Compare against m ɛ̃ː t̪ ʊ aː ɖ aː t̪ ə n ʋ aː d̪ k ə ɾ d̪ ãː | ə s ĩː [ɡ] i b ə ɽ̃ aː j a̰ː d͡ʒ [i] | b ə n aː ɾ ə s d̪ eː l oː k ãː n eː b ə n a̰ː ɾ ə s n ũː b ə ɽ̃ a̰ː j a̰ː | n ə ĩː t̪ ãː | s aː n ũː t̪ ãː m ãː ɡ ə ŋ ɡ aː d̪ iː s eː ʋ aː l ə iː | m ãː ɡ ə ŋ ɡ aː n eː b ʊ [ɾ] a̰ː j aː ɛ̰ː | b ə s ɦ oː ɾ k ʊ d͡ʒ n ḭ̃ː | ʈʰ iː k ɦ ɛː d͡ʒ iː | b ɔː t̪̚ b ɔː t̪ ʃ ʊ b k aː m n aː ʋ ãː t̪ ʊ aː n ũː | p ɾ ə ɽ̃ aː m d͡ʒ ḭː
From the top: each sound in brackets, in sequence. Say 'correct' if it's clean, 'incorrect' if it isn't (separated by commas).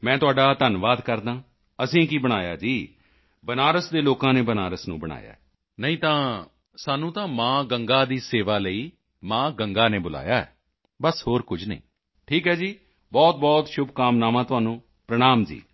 incorrect, incorrect, incorrect